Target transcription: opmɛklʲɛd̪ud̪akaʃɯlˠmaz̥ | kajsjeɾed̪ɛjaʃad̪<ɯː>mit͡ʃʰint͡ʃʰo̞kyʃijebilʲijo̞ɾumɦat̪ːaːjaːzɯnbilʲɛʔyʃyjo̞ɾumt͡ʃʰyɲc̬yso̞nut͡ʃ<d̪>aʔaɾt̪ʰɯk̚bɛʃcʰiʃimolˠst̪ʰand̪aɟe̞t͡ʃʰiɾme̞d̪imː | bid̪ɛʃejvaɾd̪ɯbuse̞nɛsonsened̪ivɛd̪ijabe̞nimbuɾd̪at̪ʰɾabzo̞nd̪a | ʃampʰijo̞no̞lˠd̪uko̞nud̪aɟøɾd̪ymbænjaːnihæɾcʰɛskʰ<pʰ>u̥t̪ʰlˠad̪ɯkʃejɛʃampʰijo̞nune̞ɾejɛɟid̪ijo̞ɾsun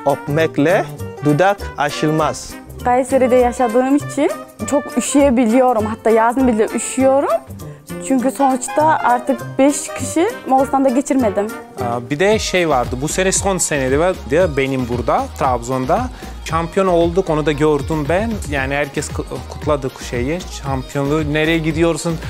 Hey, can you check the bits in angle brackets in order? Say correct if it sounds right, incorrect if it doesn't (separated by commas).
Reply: correct, incorrect, incorrect